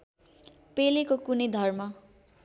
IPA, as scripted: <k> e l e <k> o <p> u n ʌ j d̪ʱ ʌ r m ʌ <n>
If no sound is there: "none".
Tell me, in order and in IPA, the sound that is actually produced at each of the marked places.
p, k, k, none

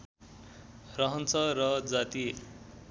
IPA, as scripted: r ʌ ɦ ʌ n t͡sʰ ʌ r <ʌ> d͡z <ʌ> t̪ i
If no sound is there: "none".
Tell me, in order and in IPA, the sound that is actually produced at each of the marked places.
ʌ, a

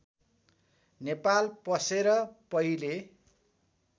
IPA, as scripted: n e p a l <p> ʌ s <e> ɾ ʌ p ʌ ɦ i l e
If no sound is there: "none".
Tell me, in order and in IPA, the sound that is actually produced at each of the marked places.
p, e

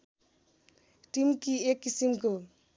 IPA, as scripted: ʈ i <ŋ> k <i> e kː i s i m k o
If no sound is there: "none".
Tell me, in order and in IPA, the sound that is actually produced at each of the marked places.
m, i

